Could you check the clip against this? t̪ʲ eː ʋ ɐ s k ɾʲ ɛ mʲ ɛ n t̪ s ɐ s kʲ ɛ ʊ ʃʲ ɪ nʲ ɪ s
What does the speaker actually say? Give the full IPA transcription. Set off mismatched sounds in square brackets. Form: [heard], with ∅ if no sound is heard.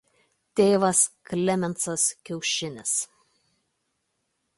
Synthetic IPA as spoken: t̪ʲ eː ʋ ɐ s k [lʲ] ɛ mʲ ɛ n t̪ s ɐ s kʲ ɛ ʊ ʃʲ ɪ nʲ ɪ s

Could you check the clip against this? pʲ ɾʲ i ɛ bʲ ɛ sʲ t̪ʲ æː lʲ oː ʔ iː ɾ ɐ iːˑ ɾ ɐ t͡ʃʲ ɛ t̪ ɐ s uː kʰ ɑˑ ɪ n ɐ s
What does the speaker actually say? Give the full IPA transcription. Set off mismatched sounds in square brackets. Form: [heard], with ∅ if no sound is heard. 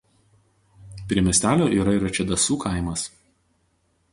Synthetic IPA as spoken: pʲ ɾʲ i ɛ [mʲ] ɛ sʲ t̪ʲ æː lʲ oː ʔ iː ɾ ɐ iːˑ ɾ ɐ t͡ʃʲ ɛ [d̪] ɐ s uː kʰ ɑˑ ɪ [m] ɐ s

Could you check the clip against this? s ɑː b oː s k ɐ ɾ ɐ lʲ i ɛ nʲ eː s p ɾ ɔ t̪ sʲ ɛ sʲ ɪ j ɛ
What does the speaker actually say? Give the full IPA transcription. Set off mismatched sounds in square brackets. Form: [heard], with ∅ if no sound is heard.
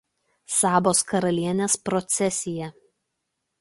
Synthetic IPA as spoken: s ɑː b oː s k ɐ ɾ ɐ lʲ i ɛ nʲ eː s p ɾ ɔ t̪ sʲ ɛ sʲ ɪ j ɛ

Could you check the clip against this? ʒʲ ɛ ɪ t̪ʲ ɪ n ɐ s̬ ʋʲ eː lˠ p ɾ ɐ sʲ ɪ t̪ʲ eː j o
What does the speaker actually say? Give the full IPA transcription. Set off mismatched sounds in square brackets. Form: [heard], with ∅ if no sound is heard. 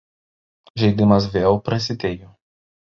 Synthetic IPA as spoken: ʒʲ ɛ ɪ [d̪ʲ] ɪ [m] ɐ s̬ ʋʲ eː lˠ p ɾ ɐ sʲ ɪ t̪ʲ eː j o

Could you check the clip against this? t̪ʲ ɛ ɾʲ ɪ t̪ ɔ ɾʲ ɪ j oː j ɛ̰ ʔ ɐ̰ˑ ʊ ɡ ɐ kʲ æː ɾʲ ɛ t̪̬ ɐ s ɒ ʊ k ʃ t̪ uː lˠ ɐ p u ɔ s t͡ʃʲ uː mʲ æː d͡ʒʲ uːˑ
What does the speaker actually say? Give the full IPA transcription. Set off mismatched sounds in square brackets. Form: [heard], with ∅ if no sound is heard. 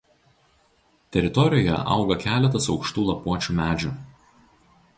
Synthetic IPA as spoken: t̪ʲ ɛ ɾʲ ɪ t̪ ɔ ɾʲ ɪ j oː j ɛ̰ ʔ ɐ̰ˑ ʊ ɡ ɐ kʲ æː [lʲ] ɛ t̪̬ ɐ s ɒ ʊ k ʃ t̪ uː lˠ ɐ p u ɔ [∅] t͡ʃʲ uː mʲ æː d͡ʒʲ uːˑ

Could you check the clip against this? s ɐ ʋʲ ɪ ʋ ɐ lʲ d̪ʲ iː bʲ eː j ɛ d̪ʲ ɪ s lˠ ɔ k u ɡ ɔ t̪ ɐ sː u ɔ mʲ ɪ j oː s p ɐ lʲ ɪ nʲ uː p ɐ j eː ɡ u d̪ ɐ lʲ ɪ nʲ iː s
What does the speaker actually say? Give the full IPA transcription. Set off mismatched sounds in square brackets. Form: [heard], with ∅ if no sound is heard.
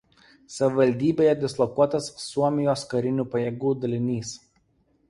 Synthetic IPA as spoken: s ɐ ʋʲ ɪ ʋ ɐ lʲ d̪ʲ iː bʲ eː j ɛ d̪ʲ ɪ s lˠ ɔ k u [∅] ɔ t̪ ɐ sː u ɔ mʲ ɪ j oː s [k] ɐ [ɾʲ] ɪ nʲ uː p ɐ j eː ɡ [uː] d̪ ɐ lʲ ɪ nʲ iː s

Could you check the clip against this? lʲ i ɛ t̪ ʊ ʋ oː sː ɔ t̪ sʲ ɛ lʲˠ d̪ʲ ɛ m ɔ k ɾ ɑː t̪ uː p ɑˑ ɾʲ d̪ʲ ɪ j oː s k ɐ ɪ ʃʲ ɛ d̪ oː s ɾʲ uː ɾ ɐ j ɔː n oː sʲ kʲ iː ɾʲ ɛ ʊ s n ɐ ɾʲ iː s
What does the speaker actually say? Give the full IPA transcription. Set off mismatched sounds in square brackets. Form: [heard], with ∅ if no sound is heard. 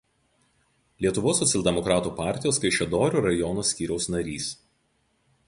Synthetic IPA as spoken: lʲ i ɛ t̪ ʊ ʋ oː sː ɔ t̪ sʲ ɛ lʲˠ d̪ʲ ɛ m ɔ k ɾ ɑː t̪ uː p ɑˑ ɾʲ [t̪ʲ] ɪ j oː s k ɐ ɪ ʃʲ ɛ d̪ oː [∅] ɾʲ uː ɾ ɐ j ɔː n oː sʲ kʲ iː ɾʲ ɛ ʊ s n ɐ ɾʲ iː s

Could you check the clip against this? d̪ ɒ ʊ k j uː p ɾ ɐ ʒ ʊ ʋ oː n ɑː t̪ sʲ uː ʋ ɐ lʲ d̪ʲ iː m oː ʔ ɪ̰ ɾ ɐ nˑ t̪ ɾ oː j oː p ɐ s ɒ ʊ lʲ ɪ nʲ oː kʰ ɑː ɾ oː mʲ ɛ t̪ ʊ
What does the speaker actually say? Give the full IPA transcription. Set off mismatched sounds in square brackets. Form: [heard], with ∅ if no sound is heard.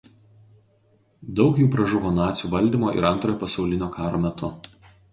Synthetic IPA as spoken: d̪ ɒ ʊ k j uː p ɾ ɐ ʒ ʊ ʋ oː n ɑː t̪ sʲ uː ʋ ɐ lʲ d̪ʲ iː m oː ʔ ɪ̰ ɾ ɐ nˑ t̪ ɾ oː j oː p ɐ s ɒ ʊ lʲ ɪ nʲ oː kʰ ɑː ɾ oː mʲ ɛ t̪ ʊ

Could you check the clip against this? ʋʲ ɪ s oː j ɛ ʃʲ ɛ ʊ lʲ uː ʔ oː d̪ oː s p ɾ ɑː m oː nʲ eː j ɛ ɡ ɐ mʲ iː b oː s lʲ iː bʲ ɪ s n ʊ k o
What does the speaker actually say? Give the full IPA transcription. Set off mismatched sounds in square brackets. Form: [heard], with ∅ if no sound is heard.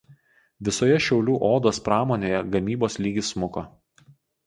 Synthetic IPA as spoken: ʋʲ ɪ s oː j ɛ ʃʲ ɛ ʊ lʲ uː ʔ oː d̪ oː s p ɾ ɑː m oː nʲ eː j ɛ ɡ ɐ mʲ iː b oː s lʲ iː [ɡʲ] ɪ s [m] ʊ k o

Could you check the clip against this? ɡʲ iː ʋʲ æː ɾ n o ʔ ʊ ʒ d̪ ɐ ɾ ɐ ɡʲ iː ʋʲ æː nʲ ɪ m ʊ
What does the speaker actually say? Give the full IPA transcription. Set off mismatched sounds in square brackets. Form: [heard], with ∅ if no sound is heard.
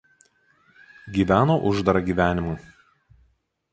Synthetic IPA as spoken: ɡʲ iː ʋʲ æː [∅] n o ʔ ʊ ʒ d̪ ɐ ɾ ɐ ɡʲ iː ʋʲ æː nʲ ɪ m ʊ

